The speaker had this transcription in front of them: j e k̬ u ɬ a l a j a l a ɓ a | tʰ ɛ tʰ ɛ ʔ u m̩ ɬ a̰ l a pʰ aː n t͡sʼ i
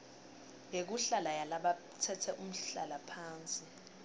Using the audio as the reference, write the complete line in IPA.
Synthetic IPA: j e k̬ u ɬ a l a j a l a ɓ a | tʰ ɛ tʰ ɛ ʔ u m̩ ɬ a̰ l a pʰ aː n t͡sʼ i